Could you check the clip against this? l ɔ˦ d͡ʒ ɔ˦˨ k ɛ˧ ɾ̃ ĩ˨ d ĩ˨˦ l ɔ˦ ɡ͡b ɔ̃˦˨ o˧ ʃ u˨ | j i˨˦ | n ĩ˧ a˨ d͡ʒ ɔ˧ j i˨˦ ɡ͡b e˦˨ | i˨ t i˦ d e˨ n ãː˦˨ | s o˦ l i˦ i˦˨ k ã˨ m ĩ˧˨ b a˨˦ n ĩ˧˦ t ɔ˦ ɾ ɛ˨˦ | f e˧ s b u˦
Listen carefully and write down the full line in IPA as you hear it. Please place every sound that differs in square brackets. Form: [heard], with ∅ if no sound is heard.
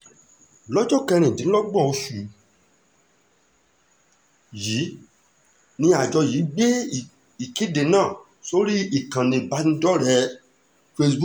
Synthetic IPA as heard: l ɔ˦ d͡ʒ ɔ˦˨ k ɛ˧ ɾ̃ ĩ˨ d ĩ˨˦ l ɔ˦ ɡ͡b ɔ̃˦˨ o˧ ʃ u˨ | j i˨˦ | n ĩ˧ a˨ d͡ʒ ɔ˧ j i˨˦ ɡ͡b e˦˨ | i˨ [k] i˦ d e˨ n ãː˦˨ | s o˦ [ɾ] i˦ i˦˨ k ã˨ [n] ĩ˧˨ b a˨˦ n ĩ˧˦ [d] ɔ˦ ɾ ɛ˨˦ | f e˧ s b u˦